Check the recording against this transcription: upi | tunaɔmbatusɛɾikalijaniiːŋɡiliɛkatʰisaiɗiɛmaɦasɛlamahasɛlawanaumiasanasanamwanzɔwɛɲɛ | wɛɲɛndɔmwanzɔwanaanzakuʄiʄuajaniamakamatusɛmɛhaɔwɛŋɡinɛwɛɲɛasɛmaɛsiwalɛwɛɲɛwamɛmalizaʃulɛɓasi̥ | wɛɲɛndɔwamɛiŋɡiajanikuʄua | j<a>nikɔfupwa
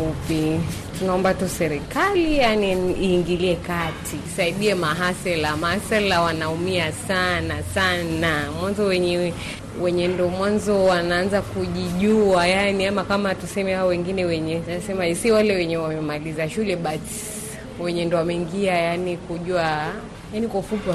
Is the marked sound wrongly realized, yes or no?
no